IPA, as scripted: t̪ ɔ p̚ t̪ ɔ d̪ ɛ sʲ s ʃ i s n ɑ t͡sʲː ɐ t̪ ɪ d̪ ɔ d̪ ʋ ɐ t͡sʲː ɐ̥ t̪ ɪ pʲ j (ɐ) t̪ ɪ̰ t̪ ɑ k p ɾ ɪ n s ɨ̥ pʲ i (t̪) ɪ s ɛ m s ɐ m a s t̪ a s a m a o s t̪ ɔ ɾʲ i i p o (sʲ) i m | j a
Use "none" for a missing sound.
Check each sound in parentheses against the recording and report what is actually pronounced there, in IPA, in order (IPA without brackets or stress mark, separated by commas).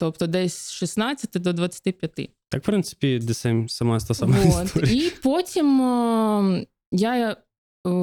ɐ, d̪, tʲ